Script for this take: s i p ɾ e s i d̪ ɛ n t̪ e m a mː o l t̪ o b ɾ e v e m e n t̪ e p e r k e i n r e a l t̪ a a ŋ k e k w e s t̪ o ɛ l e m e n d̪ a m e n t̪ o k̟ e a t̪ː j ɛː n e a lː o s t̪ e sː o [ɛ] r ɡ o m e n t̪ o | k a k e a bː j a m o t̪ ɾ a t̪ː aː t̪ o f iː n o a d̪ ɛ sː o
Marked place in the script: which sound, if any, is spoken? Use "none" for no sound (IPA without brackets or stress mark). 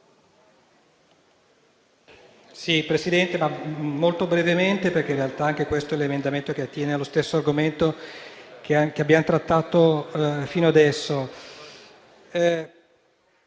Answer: a